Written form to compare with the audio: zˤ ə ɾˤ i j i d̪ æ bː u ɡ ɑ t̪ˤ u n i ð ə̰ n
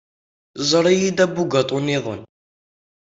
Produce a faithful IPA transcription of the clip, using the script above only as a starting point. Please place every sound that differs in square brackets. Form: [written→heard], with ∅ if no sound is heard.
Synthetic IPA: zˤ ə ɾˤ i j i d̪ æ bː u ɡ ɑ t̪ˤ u n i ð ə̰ n